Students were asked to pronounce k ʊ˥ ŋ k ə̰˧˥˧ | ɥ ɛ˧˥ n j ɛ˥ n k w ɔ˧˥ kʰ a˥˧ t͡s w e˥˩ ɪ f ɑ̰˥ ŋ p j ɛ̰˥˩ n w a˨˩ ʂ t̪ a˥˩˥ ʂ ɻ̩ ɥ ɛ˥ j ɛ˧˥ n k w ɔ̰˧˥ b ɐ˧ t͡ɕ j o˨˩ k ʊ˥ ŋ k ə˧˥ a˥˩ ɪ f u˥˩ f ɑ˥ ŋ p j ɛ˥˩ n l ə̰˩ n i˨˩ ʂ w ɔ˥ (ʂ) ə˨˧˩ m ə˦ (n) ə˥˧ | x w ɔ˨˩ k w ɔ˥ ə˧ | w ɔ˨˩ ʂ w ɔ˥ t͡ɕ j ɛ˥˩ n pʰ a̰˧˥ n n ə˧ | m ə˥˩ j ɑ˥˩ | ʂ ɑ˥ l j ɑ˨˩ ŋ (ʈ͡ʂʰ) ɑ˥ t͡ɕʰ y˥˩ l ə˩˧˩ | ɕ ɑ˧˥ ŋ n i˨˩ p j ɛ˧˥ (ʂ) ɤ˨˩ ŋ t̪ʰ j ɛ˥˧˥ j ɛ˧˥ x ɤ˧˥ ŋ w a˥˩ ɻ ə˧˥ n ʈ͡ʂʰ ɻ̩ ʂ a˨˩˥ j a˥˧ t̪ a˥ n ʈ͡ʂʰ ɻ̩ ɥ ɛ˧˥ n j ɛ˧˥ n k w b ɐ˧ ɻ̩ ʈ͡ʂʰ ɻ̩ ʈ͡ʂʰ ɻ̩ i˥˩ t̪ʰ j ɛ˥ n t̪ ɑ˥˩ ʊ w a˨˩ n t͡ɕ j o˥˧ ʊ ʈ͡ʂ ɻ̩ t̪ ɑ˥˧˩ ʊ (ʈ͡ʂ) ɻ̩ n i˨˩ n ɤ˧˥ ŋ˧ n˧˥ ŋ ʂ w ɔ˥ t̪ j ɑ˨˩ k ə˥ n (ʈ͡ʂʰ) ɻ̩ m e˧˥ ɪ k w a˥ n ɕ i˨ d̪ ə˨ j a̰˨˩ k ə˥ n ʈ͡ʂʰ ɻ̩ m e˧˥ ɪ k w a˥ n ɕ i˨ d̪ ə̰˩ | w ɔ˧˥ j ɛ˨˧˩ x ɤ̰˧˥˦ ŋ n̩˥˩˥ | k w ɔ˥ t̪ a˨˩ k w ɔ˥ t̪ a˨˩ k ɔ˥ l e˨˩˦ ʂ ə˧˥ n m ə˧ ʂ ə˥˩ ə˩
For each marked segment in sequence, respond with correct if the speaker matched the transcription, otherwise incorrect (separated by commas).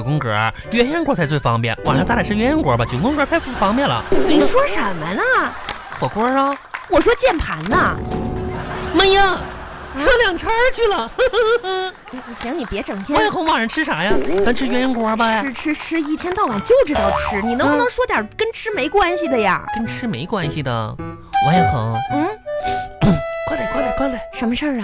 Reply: correct, correct, correct, incorrect, incorrect, correct